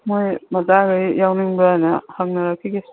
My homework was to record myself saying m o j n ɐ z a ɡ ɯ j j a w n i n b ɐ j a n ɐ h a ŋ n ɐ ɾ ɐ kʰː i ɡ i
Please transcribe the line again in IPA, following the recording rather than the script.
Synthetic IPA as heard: m o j m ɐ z a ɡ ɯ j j a w n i ŋ b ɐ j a n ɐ h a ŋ n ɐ ɾ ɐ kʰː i ɡ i